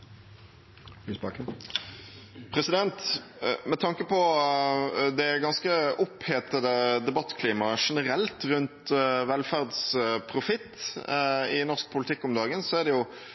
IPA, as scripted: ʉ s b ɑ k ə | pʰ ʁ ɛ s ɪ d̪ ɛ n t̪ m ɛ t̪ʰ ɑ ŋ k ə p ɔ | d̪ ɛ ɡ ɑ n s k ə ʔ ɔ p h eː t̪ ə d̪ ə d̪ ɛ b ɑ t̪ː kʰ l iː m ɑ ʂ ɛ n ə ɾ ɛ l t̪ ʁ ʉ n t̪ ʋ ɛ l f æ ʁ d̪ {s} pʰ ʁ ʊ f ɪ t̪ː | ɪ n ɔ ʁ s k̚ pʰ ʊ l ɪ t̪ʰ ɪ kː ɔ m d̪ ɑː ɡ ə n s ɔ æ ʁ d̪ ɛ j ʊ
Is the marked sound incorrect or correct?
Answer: correct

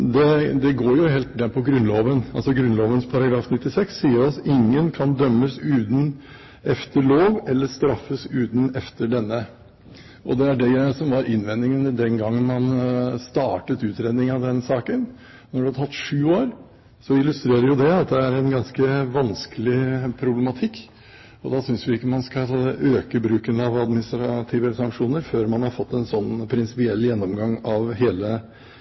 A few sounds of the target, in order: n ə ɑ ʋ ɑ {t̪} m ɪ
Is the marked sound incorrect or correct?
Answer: incorrect: d̪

